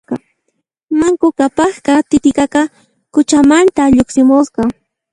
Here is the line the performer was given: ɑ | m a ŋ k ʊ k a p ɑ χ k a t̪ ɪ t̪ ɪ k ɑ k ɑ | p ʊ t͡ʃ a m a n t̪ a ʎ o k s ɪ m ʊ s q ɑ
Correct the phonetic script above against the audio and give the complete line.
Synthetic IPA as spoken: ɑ | m a ŋ k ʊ k a p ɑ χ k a t̪ ɪ t̪ ɪ k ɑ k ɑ | k ʊ t͡ʃ a m a n t̪ a ʎ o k s ɪ m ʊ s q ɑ

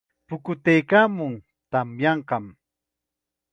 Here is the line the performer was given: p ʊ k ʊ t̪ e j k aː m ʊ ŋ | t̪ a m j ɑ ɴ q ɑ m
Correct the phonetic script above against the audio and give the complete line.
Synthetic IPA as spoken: p ʊ k ʊ t̪ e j k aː m ʊ ŋ | t̪ a m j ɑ ɴ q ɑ m

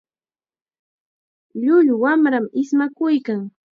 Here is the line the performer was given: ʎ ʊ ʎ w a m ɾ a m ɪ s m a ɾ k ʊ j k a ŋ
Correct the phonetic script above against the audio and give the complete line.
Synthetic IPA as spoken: ʎ ʊ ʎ w a m ɾ a m ɪ s m a k ʊ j k a ŋ

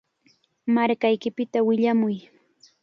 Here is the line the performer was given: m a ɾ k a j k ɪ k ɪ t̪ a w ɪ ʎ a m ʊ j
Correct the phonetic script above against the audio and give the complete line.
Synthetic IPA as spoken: m a ɾ k a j k ɪ p ɪ t̪ a w ɪ ʎ a m ʊ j

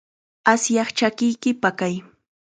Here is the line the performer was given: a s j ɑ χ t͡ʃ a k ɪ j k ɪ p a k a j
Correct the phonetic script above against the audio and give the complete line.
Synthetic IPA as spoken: a s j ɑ χ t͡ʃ a k ɪ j k ɪ p a k a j

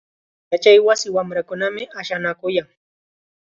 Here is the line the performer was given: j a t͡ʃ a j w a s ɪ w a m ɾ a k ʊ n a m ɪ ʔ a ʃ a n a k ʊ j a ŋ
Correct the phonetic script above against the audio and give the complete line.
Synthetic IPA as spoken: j a t͡ʃ a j w a s ɪ w a m ɾ a k ʊ n a m ɪ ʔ a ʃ a n a k ʊ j a ŋ

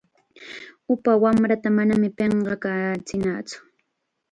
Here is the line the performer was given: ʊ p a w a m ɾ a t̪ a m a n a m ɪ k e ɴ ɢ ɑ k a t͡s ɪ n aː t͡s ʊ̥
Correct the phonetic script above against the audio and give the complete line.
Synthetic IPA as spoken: ʊ p a w a m ɾ a t̪ a m a n a m ɪ p e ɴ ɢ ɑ k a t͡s ɪ n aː t͡s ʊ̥

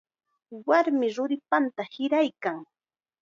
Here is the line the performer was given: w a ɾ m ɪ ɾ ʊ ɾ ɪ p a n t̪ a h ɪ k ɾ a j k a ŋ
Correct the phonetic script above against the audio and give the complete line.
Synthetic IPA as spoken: w a ɾ m ɪ ɾ ʊ ɾ ɪ p a n t̪ a h ɪ ɾ a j k a ŋ

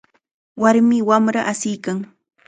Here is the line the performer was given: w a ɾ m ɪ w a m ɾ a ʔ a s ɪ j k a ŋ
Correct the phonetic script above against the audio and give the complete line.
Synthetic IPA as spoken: w a ɾ m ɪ w a m ɾ a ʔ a s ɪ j k a ŋ

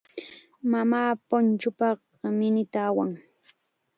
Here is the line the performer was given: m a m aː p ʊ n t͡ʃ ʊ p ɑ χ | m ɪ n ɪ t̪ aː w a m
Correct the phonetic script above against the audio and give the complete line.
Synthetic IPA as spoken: m a m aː p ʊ n t͡ʃ ʊ p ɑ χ | m ɪ n ɪ t̪ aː w a ŋ

